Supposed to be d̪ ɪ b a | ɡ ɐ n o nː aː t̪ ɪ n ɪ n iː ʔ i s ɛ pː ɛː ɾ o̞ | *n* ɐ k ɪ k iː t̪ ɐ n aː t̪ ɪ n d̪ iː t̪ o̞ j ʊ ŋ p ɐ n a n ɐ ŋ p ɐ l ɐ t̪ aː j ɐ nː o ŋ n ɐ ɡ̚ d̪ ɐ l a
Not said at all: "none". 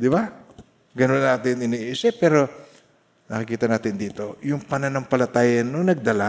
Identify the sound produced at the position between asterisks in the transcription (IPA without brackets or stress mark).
n